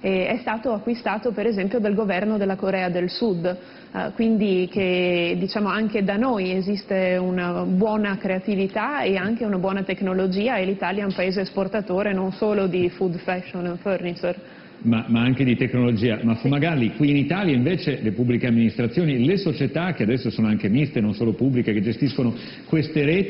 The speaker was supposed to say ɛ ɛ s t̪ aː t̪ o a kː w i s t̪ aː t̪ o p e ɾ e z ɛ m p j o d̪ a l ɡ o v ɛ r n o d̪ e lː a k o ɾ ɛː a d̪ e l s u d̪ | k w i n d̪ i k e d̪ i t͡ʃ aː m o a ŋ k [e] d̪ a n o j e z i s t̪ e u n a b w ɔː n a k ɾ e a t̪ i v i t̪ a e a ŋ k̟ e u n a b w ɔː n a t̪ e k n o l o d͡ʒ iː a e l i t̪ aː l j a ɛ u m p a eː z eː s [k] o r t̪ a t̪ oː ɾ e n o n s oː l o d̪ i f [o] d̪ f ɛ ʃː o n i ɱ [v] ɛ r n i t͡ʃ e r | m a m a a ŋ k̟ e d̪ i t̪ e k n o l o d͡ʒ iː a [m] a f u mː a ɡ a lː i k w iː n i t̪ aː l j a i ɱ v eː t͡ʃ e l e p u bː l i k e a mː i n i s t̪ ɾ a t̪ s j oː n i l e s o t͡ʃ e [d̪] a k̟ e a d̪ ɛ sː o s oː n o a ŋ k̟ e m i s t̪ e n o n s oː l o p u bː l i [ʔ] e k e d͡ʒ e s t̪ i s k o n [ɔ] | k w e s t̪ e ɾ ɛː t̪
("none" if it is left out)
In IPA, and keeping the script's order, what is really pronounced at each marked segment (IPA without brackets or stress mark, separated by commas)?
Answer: e, p, u, f, m, t̪, k, o